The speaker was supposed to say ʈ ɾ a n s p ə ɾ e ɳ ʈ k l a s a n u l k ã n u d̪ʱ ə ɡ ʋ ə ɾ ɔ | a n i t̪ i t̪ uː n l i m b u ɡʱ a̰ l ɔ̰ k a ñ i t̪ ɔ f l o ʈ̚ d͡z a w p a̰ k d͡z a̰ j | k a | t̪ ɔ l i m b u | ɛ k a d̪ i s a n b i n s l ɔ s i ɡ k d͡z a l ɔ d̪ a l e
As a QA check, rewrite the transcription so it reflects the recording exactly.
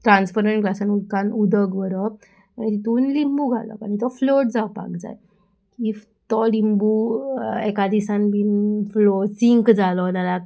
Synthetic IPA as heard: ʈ ɾ a n s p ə ɾ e ɳ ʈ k l a s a n u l k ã n u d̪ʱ ə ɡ ʋ ə ɾ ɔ | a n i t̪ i t̪ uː n l i m b u ɡʱ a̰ l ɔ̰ k a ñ i t̪ ɔ f l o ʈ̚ d͡z a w p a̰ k d͡z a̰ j | k i | t̪ ɔ l i m b u | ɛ k a d̪ i s a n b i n f l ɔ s i ŋ k d͡z a l ɔ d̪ a l a